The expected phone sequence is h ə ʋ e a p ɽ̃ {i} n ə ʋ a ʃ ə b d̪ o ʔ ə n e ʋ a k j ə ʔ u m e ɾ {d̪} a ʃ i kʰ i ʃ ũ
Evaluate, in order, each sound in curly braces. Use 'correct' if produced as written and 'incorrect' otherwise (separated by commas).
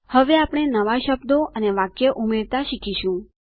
incorrect, incorrect